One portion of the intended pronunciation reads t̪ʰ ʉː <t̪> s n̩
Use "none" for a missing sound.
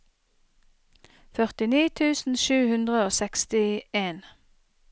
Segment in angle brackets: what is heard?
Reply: none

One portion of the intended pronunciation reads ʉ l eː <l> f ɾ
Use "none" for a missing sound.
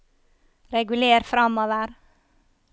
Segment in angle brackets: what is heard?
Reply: ɾ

